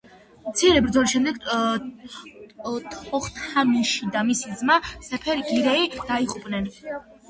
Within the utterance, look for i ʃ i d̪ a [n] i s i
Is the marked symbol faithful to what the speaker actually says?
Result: no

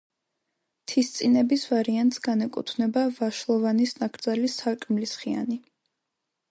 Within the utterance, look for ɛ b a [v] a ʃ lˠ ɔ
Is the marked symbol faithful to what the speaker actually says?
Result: yes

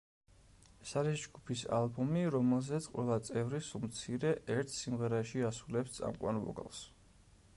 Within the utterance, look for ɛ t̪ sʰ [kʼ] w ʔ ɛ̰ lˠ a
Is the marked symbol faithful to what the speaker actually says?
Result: no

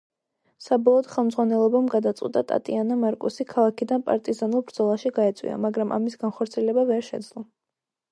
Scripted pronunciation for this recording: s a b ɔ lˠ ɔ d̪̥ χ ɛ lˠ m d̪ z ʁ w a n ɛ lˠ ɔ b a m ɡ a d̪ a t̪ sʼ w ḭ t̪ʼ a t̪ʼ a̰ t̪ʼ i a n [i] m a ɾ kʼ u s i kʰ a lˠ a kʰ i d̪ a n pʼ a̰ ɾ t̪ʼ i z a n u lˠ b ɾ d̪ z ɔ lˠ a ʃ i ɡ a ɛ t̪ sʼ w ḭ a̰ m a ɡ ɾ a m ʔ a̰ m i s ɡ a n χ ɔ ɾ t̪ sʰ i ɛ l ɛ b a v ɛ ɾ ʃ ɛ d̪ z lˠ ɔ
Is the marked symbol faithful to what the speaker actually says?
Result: no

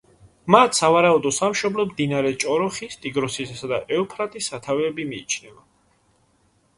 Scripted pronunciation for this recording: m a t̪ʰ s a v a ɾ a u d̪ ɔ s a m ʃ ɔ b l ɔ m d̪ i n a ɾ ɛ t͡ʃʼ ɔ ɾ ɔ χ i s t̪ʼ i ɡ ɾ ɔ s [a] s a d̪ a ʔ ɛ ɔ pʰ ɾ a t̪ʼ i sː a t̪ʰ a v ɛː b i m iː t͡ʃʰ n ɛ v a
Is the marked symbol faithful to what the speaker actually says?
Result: no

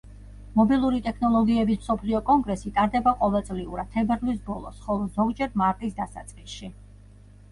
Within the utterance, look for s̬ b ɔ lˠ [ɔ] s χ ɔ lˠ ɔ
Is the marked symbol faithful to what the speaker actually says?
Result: yes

